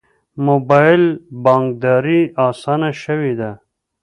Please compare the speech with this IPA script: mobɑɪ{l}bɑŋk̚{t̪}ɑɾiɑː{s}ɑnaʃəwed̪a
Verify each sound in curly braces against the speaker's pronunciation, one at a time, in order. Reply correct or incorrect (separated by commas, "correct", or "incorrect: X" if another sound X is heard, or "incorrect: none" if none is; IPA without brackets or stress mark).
correct, incorrect: d̪, correct